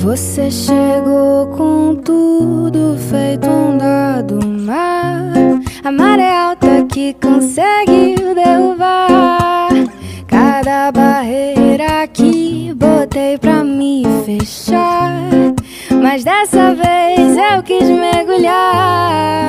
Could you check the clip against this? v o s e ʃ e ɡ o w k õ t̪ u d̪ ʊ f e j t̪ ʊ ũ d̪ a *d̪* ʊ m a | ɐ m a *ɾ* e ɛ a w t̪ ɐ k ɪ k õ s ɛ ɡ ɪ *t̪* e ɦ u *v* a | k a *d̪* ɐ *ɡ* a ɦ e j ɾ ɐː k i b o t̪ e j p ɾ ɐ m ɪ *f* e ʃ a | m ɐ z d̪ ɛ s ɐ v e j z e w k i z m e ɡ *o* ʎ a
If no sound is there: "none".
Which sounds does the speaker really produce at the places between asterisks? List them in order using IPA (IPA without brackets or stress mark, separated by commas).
d̪, ɾ, d̪, v, d̪, b, f, u